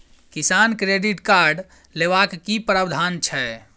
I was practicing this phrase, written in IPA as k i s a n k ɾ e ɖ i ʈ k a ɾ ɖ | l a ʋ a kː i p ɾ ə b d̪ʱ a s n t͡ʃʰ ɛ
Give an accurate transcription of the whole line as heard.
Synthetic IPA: k i s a n k ɾ e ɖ i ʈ k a ɾ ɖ | l e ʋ a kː i p ɾ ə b d̪ʱ a n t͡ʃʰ ɛ